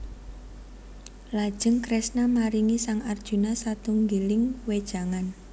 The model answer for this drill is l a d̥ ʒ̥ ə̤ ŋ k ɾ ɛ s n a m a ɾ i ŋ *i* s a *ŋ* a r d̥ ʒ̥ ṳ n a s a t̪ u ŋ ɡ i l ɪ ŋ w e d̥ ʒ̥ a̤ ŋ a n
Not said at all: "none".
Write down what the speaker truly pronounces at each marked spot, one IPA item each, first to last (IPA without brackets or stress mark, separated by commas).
i, ŋ